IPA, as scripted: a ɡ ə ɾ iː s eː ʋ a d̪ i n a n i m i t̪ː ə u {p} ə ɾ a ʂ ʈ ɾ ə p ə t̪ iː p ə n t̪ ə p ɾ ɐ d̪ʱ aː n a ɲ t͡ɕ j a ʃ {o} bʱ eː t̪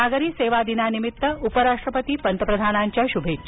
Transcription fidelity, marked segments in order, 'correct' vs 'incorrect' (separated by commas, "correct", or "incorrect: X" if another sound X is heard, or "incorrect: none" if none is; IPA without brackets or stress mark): correct, incorrect: u